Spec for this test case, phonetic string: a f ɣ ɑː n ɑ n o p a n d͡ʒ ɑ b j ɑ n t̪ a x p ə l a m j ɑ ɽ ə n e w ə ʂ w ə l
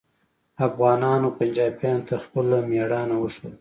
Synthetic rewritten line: a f ɣ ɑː n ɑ n o p a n d͡ʒ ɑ b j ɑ n t̪ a x p ə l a m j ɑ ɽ ɑ n a w ə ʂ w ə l